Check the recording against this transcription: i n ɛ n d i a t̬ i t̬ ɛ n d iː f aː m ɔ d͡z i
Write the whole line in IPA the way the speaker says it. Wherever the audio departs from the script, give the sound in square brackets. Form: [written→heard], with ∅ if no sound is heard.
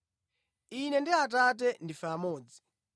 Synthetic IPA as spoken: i n ɛ n d i a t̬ [i→a] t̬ ɛ n d [iː→i] f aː m [ɔ→ɔː] d͡z i